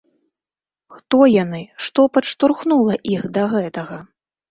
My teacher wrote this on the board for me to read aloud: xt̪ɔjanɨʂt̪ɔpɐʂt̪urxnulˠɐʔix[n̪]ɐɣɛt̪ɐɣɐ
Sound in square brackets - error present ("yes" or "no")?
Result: yes